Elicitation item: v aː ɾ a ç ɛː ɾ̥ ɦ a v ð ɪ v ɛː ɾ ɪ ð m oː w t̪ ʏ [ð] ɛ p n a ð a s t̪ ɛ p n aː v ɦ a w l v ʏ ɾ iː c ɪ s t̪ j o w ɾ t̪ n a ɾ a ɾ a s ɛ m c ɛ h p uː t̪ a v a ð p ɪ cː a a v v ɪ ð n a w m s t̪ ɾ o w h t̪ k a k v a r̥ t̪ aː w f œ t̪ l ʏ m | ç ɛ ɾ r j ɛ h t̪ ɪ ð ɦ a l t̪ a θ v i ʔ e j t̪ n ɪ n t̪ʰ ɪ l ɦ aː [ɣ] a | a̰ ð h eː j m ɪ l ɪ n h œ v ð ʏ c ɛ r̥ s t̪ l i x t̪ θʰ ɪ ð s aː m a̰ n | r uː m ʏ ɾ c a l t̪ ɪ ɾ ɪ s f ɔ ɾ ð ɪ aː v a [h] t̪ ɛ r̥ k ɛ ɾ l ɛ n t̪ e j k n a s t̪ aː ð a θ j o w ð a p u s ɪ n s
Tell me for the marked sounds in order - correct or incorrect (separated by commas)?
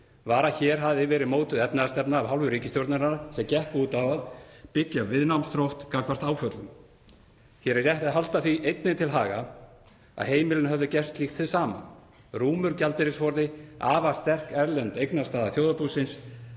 correct, correct, incorrect